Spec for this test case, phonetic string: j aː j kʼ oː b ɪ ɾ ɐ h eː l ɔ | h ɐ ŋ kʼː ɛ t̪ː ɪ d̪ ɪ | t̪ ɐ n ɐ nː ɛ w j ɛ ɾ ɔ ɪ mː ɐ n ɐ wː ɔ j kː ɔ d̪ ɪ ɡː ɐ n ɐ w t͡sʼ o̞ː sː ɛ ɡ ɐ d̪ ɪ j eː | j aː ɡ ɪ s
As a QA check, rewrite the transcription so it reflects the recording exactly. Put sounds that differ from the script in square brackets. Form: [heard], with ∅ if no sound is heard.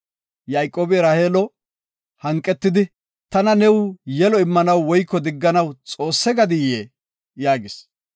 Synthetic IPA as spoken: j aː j kʼ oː b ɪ ɾ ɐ h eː l ɔ | h ɐ ŋ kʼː ɛ t̪ː ɪ d̪ ɪ | t̪ ɐ n ɐ [n] ɛ w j ɛ [l] ɔ ɪ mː ɐ n ɐ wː ɔ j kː ɔ d̪ ɪ ɡː ɐ n ɐ w t͡sʼ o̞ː sː ɛ ɡ ɐ d̪ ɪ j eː | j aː ɡ ɪ s